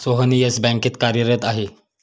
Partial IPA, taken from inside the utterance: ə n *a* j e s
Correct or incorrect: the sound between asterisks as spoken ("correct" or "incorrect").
incorrect